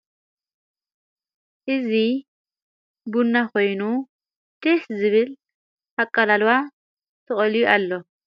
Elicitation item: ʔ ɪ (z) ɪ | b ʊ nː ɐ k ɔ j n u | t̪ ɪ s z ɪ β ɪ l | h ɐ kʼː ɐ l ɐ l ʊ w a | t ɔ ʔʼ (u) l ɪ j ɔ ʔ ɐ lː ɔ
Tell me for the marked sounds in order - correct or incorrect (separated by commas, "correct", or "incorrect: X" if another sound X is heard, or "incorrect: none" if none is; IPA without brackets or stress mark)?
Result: correct, incorrect: ɔ